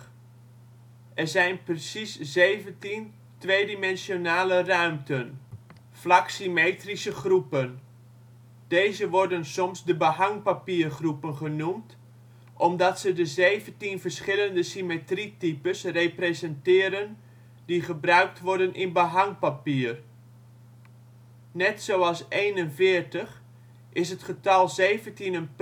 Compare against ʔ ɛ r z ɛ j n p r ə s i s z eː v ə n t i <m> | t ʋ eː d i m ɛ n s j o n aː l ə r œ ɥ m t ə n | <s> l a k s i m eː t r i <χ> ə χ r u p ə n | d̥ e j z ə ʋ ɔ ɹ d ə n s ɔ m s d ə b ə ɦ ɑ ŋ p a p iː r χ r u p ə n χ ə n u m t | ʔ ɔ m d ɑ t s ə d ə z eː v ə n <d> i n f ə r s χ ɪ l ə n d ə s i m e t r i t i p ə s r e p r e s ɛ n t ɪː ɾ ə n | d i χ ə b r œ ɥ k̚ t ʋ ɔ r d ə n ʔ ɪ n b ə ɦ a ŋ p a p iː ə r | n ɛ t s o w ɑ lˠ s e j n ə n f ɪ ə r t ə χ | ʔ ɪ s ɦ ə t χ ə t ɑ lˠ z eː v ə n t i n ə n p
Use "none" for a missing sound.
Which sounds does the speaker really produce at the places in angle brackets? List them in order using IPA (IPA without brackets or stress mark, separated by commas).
n, f, s, t